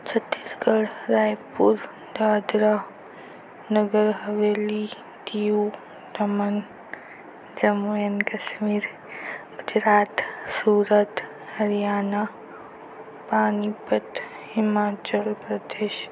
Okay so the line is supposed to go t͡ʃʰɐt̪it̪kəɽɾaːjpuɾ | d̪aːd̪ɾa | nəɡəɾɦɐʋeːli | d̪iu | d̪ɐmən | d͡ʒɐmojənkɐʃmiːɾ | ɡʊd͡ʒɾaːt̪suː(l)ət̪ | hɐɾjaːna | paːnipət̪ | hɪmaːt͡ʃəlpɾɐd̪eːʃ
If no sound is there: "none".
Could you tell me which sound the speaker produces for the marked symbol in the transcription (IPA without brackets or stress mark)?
ɾ